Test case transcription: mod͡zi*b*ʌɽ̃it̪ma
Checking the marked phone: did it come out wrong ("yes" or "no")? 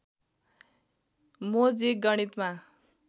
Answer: yes